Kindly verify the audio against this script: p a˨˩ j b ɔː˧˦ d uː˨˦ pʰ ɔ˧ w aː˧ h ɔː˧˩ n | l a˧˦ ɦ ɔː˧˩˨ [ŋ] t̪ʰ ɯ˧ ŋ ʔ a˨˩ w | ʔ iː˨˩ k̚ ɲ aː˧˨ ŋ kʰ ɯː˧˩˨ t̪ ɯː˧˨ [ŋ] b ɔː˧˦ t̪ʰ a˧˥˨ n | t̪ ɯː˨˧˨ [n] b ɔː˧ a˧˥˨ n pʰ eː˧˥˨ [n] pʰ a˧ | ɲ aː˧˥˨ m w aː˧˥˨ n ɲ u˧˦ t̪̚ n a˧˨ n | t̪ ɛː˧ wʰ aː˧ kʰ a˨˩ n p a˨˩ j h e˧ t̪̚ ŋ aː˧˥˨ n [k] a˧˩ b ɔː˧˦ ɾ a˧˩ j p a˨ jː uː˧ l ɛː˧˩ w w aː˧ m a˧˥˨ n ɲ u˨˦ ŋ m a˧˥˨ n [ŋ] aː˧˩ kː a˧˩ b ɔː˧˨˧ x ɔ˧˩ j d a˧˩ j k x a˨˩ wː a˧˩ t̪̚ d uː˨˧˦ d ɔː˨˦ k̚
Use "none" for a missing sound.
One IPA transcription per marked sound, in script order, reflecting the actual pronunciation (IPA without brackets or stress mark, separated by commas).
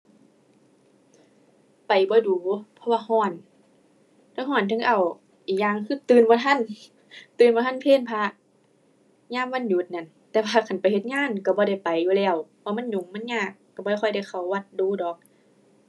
n, n, n, n, k, ɲ